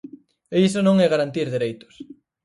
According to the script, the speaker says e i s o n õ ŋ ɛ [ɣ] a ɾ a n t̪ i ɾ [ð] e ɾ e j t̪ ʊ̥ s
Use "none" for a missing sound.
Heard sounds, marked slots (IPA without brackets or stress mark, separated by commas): ɣ, ð